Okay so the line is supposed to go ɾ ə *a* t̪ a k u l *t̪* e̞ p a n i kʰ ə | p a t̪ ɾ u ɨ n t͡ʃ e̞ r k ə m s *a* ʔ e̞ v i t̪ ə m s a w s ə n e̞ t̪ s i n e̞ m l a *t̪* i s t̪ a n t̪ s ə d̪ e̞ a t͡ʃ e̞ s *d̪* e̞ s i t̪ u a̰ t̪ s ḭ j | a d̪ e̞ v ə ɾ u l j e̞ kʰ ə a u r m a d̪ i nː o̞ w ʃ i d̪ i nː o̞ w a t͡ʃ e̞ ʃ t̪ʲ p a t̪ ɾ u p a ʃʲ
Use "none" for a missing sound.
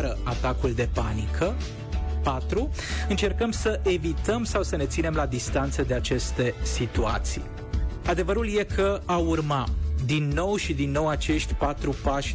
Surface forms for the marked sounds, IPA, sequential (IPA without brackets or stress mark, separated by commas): a, d̪, ə, d̪, t̪